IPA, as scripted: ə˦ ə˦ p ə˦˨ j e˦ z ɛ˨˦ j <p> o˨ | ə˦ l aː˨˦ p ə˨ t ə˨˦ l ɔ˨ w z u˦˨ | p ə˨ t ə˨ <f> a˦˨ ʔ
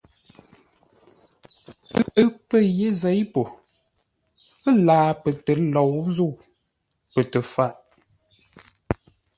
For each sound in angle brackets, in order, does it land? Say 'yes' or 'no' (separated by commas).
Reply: yes, yes